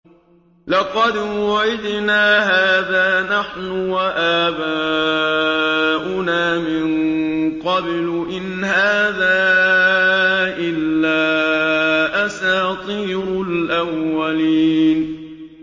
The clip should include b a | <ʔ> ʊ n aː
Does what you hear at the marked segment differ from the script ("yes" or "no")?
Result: no